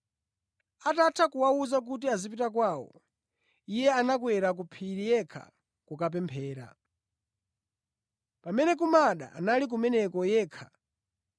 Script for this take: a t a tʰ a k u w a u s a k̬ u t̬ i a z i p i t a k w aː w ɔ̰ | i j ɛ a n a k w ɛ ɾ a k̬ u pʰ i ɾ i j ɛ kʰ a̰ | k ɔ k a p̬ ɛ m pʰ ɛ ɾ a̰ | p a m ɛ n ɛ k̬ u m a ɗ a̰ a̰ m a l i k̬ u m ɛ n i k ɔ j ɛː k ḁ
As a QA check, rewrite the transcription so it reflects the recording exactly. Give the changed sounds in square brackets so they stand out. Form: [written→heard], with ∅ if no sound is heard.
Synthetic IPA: a t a tʰ a k u w a u [s→z] a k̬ u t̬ i a z i p i t a k w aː w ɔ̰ | i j ɛ a n a k w ɛ ɾ a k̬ u pʰ i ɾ i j ɛ kʰ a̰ | k [ɔ→u] k a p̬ ɛ m pʰ [ɛ→ɛː] ɾ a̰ | p a m ɛ n ɛ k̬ u m a ɗ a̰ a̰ [m→n] a l i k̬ u m ɛ n [i→ɛ] k ɔ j ɛː [k→kʰ] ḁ